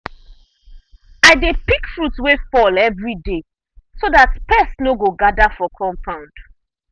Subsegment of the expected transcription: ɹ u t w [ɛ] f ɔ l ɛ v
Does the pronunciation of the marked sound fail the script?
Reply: yes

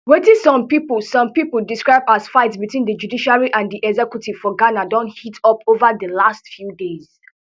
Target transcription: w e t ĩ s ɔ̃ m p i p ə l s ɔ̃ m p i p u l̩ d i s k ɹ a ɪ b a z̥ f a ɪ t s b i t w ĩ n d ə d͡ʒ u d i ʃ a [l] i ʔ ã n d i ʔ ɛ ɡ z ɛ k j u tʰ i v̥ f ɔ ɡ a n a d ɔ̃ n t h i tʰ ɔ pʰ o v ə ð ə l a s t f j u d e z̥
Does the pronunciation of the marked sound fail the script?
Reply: yes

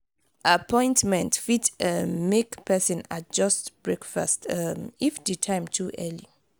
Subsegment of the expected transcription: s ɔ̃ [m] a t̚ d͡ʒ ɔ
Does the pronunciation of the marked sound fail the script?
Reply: yes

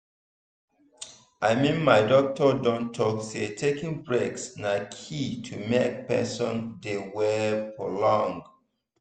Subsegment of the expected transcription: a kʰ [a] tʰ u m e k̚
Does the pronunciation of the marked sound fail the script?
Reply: yes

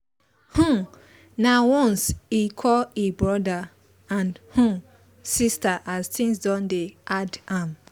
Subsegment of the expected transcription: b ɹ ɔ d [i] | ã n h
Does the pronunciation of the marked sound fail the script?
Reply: yes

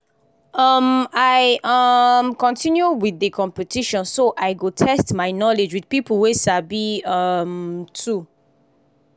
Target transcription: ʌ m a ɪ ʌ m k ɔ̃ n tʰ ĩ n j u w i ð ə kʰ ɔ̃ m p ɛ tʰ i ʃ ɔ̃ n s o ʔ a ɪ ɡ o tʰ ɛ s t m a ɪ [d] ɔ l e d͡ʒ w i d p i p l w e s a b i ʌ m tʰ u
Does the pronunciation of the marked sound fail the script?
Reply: yes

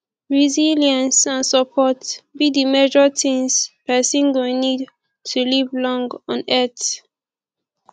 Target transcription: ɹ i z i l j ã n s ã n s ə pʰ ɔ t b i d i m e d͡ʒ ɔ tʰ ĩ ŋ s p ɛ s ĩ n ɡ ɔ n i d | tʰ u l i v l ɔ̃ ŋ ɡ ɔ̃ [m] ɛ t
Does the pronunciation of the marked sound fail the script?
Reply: yes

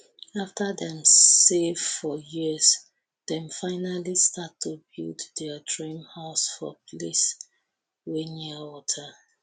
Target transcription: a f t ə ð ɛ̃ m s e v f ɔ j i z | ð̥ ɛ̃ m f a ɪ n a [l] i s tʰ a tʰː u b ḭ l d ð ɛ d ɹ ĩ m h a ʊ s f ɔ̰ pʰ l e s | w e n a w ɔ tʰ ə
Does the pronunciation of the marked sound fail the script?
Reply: no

